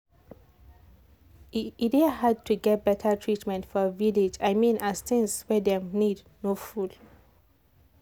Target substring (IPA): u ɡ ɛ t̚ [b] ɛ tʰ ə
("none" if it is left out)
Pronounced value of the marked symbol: b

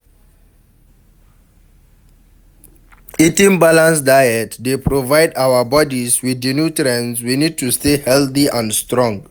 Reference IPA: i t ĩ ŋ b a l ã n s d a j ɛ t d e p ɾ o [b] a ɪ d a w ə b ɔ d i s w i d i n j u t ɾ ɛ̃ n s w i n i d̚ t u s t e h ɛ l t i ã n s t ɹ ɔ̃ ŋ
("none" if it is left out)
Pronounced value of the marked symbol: v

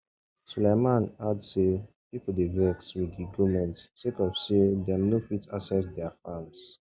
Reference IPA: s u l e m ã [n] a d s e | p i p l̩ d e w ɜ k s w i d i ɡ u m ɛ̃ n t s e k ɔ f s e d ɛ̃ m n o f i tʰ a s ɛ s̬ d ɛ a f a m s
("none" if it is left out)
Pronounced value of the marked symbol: n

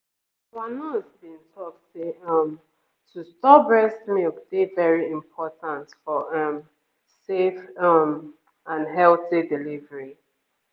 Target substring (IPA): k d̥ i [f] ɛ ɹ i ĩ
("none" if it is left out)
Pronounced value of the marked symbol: v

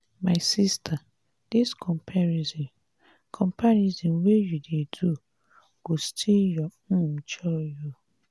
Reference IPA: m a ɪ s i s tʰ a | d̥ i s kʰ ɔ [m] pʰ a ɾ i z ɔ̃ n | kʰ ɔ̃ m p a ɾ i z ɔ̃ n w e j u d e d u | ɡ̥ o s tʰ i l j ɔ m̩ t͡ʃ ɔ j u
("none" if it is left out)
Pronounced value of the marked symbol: m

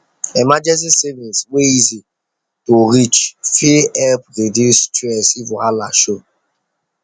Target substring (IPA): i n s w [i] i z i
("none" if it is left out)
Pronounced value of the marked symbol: e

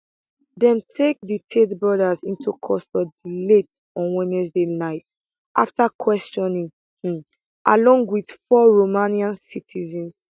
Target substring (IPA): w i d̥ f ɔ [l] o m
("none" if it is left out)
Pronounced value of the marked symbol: ɹ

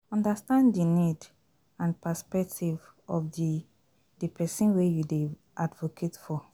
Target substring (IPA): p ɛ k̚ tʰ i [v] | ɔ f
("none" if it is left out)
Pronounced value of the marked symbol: v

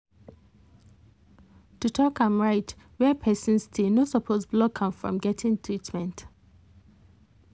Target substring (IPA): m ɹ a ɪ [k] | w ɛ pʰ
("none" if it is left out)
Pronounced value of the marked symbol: t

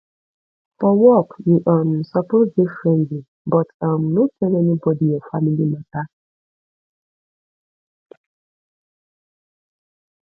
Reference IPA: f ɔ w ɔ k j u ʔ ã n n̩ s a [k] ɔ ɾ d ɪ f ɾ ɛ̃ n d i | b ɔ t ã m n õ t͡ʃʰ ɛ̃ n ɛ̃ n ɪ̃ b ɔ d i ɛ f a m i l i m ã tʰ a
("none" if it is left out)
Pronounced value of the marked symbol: p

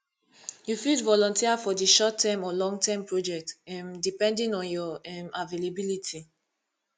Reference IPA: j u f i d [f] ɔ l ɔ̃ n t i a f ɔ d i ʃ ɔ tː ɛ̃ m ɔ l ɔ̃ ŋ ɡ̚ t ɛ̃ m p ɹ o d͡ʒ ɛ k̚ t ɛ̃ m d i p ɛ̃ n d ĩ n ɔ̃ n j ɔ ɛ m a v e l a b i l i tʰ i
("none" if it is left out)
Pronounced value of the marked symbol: v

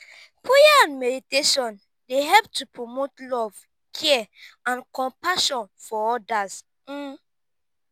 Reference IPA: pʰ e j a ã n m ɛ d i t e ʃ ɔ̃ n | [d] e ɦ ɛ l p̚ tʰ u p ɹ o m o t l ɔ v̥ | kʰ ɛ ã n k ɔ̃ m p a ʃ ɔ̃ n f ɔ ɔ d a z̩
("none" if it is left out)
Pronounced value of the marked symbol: d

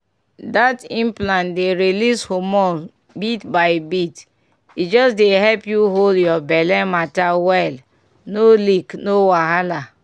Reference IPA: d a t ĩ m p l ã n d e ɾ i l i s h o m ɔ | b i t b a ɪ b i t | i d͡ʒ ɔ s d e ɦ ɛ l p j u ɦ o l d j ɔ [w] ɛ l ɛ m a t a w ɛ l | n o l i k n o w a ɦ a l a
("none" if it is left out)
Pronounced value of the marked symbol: b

